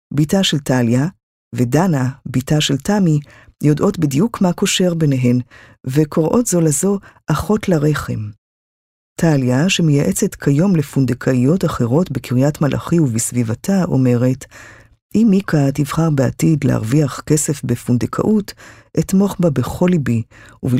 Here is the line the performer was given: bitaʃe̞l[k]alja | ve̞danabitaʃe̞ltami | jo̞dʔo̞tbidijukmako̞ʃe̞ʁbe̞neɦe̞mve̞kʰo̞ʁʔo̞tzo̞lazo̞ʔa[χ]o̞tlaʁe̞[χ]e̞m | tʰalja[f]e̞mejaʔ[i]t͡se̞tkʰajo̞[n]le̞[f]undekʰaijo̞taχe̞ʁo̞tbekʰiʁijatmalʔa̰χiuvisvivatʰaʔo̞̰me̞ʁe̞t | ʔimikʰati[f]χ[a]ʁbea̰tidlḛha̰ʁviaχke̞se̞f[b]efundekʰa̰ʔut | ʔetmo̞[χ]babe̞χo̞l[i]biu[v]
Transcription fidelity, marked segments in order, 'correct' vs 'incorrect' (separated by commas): incorrect, correct, correct, incorrect, incorrect, incorrect, correct, incorrect, correct, correct, correct, correct, correct